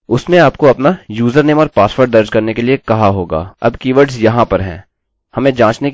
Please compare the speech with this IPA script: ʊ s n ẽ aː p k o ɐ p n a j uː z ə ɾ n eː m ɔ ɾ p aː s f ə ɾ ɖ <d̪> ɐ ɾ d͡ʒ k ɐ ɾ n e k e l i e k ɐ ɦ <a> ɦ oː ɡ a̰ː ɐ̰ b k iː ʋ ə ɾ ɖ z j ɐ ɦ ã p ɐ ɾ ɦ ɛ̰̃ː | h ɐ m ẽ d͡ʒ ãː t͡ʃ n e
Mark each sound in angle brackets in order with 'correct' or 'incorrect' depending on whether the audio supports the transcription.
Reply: correct, correct

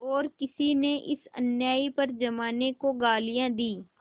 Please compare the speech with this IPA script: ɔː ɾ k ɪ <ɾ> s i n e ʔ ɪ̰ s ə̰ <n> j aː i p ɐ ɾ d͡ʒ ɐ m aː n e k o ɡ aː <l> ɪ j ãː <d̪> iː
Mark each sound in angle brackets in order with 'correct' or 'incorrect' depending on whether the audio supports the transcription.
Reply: incorrect: none, correct, correct, correct

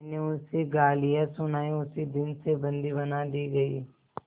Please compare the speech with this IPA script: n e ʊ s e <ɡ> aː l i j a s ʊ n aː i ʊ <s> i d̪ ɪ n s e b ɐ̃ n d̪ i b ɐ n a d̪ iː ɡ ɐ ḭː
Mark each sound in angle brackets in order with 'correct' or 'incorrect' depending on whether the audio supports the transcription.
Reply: correct, correct

